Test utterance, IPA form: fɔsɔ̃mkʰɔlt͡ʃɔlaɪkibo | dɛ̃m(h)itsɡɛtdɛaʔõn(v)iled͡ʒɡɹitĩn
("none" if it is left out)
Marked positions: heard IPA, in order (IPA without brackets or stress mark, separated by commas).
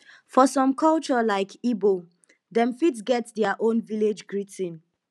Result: f, v